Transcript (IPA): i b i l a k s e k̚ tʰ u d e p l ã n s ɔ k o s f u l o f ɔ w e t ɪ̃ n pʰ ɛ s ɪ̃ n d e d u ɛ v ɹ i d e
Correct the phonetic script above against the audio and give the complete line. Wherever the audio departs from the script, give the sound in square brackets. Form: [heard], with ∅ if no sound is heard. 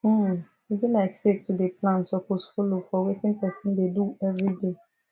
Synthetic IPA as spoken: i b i l a k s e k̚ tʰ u d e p l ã n s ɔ k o s f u l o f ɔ w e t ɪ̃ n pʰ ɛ s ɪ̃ n d e d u ɛ v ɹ i d e